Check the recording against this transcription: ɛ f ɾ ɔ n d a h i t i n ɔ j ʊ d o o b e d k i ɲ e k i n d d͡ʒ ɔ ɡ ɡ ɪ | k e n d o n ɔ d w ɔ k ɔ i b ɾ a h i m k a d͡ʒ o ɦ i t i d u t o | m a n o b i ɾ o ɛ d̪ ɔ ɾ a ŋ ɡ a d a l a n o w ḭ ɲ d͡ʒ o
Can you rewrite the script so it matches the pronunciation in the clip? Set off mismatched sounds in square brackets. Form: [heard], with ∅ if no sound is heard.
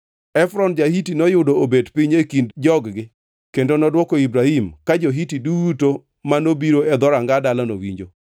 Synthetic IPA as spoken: ɛ f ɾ ɔ n [d͡ʒ] a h i t i n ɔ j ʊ d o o b e d [p] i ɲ e k i n d d͡ʒ ɔ ɡ ɡ ɪ | k e n d o n ɔ d w ɔ k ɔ i b ɾ a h i m k a d͡ʒ o ɦ i t i d u t o | m a n o b i ɾ o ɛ d̪ ɔ ɾ a ŋ ɡ a d a l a n o w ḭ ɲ d͡ʒ o